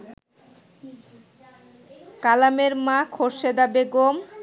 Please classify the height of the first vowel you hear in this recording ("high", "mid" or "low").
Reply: low